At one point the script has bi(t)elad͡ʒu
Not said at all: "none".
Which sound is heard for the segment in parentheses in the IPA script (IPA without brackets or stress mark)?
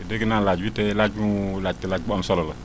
t